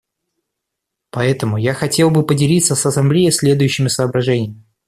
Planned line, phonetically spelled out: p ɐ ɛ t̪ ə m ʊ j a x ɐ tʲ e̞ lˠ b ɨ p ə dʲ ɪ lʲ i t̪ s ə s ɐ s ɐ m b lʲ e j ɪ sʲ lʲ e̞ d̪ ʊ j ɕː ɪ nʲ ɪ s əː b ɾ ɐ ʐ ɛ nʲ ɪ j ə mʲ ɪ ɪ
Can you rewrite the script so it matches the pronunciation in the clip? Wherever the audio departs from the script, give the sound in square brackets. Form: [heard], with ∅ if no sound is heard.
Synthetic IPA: p ɐ ɛ t̪ ə m ʊ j a x ɐ tʲ e̞ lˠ b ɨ p ə dʲ ɪ lʲ i t̪ s ə s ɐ s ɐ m b lʲ e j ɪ sʲ lʲ e̞ d̪ ʊ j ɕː ɪ [mʲ] ɪ s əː b ɾ ɐ ʐ ɛ nʲ ɪ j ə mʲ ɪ ɪ